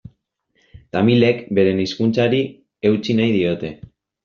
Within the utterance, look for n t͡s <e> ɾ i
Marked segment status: incorrect: a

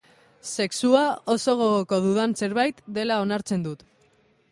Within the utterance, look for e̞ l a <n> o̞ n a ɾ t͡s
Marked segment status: incorrect: none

